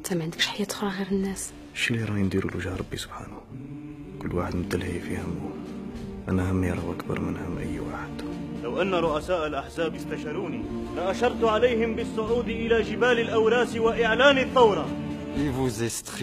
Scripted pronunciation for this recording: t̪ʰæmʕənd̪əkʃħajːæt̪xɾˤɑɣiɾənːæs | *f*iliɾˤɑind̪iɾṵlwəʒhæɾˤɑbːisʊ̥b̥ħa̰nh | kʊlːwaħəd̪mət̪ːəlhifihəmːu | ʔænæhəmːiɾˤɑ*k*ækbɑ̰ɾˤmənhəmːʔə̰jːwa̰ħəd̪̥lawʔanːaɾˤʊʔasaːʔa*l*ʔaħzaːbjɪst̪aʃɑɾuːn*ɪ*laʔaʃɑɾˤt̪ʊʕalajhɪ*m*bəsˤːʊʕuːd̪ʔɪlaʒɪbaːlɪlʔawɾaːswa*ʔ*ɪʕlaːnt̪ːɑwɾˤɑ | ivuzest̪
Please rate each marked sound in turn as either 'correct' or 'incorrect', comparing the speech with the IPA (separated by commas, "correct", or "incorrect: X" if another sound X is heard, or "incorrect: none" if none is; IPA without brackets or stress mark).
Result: incorrect: ʃ, incorrect: ʔ, correct, incorrect: i, correct, correct